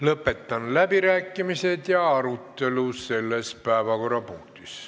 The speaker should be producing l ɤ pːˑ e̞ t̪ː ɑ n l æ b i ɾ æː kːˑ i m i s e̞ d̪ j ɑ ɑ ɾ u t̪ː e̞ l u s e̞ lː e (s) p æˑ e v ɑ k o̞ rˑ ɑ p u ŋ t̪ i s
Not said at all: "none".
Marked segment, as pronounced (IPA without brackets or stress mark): s